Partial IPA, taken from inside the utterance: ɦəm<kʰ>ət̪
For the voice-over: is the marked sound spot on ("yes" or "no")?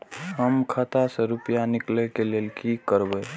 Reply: yes